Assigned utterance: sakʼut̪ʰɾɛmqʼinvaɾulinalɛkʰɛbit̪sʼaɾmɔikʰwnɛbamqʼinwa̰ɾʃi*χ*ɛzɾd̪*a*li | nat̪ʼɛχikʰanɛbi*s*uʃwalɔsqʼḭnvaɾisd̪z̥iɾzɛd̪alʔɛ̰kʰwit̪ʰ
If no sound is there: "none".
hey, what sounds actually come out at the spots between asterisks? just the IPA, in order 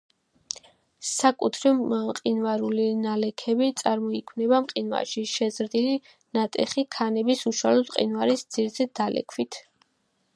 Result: ʃ, i, s

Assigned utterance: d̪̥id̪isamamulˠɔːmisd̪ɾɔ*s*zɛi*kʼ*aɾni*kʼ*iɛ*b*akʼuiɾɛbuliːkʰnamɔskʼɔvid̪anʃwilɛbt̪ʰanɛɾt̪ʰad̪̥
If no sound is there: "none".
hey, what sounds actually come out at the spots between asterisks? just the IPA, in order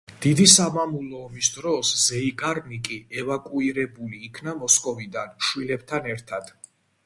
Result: s, kʼ, kʼ, v

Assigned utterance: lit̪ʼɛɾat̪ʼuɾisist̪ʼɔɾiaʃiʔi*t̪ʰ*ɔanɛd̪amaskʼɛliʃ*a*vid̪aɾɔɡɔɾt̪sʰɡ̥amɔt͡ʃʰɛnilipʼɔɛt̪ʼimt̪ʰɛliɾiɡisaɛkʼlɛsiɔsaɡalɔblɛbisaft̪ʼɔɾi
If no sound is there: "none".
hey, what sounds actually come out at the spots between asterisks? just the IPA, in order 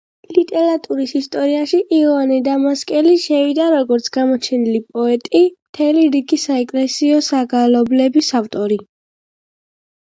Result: none, ɛ

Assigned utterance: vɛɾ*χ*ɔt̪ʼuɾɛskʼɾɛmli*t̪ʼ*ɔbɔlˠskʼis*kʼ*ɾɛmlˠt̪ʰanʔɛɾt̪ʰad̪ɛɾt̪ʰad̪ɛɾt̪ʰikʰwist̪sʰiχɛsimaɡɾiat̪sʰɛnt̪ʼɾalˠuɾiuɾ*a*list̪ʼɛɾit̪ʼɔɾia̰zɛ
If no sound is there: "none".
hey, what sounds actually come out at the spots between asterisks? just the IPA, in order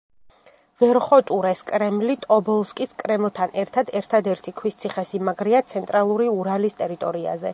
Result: χ, t̪ʼ, kʼ, a

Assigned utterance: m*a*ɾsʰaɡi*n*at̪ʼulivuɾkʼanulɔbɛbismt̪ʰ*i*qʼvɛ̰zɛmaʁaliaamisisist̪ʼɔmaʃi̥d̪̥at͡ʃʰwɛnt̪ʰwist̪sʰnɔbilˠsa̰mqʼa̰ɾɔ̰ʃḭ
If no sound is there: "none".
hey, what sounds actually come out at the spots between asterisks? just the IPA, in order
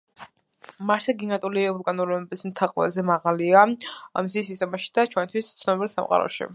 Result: a, n, a

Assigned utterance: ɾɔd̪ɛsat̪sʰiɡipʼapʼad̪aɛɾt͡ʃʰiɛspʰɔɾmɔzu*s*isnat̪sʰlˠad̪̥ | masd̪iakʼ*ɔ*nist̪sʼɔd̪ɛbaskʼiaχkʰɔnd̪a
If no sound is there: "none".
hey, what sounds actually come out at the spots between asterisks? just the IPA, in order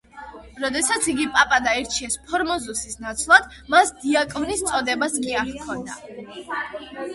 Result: s, ɔ

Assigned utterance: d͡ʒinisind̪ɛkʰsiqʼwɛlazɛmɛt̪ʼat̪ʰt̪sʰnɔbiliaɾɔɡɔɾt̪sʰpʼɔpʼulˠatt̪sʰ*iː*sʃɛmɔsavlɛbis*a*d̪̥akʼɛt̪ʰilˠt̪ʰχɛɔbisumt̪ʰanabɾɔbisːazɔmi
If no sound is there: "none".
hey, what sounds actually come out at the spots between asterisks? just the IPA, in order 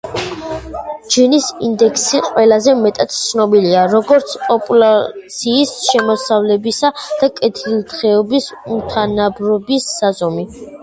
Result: iː, a

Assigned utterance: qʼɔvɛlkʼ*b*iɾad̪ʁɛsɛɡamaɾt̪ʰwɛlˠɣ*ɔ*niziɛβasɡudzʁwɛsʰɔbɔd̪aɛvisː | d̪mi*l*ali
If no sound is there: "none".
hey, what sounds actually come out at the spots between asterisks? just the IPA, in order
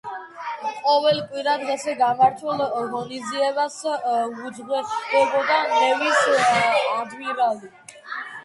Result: w, ɔ, ɾ

